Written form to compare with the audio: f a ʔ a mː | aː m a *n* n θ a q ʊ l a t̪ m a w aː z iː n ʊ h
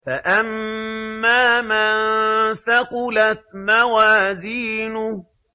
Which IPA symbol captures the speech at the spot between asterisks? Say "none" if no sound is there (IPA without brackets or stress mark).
n